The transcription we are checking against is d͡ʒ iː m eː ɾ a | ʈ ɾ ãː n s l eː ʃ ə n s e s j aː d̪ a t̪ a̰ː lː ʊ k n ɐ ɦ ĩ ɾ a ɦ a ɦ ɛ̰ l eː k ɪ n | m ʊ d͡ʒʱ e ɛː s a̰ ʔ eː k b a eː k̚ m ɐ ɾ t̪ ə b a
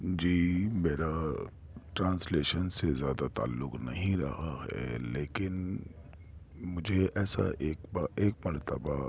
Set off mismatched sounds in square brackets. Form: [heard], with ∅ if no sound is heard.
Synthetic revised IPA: d͡ʒ iː m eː ɾ a | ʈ ɾ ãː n s l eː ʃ ə n s e [z] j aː d̪ a t̪ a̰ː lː ʊ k n ɐ ɦ ĩ ɾ [ɐ] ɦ a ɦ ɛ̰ l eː k ɪ n | m ʊ d͡ʒʱ e ɛː s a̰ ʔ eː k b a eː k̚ m ɐ ɾ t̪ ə b a